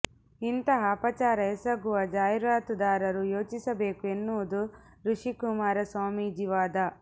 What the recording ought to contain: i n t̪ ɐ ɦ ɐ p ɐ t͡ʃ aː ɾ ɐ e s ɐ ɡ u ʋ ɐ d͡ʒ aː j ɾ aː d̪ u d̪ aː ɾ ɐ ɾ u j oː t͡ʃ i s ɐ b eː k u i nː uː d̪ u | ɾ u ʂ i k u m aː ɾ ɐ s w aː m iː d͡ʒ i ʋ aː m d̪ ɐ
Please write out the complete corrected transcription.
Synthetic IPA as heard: i n t̪ ɐ ɦ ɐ p ɐ t͡ʃ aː ɾ ɐ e s ɐ ɡ u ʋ ɐ d͡ʒ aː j ɾ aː t̪ u d̪ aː ɾ ɐ ɾ u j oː t͡ʃ i s ɐ b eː k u e nː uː d̪ u | ɾ u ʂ i k u m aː ɾ ɐ s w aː m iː d͡ʒ i ʋ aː d̪ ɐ